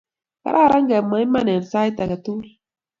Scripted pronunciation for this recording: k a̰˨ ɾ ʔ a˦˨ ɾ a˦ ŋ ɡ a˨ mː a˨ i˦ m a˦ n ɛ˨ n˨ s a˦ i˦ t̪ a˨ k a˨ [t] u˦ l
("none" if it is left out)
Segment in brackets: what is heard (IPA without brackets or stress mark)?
t